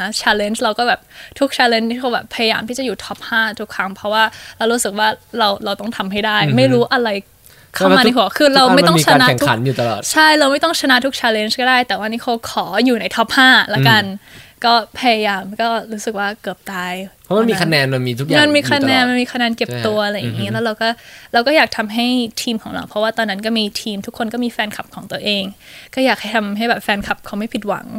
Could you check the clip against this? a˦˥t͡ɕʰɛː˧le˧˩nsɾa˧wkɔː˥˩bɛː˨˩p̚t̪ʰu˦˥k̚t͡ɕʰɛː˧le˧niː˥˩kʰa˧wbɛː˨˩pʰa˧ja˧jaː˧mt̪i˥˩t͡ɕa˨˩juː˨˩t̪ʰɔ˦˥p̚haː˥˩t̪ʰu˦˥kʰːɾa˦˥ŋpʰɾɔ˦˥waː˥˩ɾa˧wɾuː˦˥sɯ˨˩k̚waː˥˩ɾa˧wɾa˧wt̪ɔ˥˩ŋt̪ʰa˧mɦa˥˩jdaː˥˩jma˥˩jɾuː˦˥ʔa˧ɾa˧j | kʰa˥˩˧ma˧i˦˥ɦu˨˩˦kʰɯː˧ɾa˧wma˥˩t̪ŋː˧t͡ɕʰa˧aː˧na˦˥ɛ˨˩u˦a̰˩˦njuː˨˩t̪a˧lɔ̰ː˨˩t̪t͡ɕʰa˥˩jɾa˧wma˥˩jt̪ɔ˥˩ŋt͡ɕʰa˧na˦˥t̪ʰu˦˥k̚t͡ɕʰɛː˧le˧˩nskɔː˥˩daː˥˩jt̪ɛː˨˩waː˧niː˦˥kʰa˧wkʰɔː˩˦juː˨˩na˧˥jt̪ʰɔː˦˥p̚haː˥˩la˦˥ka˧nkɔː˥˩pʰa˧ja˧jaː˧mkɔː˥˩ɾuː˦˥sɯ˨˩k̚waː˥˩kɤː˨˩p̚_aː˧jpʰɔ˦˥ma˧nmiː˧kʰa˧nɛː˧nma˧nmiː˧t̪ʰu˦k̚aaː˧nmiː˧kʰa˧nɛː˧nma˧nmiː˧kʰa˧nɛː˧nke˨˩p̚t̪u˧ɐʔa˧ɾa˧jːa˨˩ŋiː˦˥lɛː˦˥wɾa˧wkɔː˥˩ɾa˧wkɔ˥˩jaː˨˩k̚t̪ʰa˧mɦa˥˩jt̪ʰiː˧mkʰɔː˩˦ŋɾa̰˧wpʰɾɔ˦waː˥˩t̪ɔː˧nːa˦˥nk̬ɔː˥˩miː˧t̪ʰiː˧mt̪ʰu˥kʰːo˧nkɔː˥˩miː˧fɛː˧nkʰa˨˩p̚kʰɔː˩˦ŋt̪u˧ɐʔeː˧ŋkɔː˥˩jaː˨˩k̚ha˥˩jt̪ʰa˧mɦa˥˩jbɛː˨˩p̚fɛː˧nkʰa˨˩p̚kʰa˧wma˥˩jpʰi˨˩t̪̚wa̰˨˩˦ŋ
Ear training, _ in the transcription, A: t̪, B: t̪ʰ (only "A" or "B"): A